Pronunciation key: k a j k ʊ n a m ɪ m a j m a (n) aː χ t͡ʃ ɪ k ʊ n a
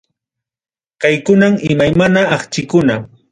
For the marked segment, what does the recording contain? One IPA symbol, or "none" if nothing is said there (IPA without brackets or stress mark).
n